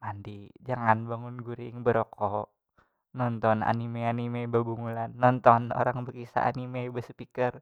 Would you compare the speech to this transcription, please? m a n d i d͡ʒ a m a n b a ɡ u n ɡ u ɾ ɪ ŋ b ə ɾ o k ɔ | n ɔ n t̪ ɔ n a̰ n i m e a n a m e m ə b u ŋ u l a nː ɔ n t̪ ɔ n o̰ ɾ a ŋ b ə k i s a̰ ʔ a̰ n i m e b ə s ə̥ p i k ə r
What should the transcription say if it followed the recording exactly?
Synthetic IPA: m a n d i d͡ʒ a ŋ a n b a ŋ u n ɡ u ɾ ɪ ŋ b ə ɾ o k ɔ | n ɔ n t̪ ɔ n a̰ n i m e a n i m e b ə b u ŋ u l a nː ɔ n t̪ ɔ n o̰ ɾ a ŋ b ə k i s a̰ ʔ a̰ n i m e b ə s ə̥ p i k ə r